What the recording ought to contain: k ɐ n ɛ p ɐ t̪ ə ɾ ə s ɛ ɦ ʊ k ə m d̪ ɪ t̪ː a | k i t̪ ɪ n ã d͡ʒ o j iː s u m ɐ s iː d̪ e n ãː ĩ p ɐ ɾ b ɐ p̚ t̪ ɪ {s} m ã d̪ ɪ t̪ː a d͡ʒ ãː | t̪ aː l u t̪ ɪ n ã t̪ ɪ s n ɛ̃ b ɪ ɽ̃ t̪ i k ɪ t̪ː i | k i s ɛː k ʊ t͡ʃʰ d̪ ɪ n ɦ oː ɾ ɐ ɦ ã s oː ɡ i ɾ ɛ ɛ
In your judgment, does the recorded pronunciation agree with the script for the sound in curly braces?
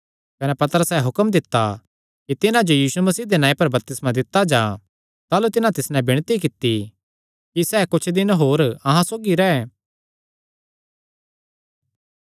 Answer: yes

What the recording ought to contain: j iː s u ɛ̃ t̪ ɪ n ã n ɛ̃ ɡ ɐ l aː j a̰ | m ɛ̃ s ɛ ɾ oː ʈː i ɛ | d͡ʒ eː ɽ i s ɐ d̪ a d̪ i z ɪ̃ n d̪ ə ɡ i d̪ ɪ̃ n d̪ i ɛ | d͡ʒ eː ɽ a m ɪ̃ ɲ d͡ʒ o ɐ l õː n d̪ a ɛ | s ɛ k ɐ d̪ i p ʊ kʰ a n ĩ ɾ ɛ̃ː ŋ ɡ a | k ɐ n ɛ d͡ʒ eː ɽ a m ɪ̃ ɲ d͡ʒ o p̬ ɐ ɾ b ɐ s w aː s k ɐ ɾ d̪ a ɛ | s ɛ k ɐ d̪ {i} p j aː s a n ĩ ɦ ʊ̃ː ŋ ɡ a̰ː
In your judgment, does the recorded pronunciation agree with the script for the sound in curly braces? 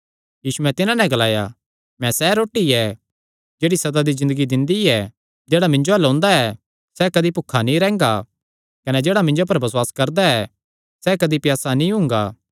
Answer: yes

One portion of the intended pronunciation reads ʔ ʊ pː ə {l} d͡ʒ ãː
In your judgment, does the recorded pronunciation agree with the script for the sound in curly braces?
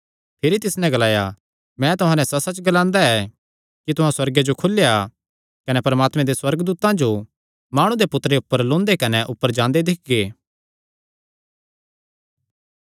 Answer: no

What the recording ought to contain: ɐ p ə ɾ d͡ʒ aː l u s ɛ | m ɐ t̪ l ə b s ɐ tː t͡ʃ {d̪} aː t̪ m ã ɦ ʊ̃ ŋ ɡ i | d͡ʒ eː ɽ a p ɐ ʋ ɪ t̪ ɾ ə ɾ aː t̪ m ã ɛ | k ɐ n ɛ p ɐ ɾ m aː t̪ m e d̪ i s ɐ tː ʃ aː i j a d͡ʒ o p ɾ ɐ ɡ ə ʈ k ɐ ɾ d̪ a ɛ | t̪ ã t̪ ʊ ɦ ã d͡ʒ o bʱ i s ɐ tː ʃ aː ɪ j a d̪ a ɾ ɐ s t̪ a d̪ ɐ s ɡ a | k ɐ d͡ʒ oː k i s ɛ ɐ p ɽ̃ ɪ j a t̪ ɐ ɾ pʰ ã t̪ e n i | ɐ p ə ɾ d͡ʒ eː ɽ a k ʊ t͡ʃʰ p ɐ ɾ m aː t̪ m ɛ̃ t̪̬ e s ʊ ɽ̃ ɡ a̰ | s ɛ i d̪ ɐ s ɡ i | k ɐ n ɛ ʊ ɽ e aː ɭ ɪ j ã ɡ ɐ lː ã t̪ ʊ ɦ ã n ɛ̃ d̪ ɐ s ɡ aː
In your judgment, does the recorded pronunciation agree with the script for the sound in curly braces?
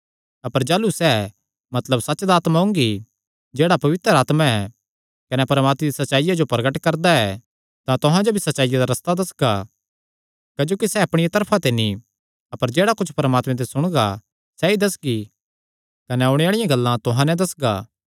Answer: yes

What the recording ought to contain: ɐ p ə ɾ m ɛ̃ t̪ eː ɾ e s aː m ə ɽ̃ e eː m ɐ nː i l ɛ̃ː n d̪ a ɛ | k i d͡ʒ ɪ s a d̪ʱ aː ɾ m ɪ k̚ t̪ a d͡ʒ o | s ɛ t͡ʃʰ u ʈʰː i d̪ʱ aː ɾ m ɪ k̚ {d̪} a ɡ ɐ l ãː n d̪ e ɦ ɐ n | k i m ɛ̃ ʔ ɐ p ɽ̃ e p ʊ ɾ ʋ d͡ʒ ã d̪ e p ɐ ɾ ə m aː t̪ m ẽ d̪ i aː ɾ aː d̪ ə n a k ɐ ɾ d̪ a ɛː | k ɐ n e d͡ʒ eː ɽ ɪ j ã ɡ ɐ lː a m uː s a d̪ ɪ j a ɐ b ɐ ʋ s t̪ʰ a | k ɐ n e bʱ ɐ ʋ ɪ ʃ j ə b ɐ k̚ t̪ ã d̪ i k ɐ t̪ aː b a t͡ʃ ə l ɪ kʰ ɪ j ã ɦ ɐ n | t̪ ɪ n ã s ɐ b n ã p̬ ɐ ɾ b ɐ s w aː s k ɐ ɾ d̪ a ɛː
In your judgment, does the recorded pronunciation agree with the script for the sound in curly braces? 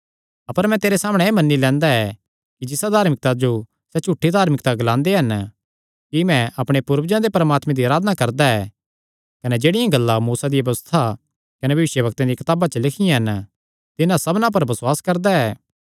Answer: no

